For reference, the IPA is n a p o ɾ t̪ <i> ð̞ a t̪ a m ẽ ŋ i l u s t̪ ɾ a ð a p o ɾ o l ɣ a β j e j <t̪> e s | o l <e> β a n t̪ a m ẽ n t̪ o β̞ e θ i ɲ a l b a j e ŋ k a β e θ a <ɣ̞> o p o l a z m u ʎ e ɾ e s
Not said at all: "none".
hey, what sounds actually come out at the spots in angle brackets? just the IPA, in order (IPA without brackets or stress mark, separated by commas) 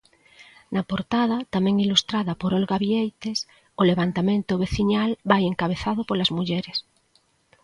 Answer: a, t̪, e, ð̞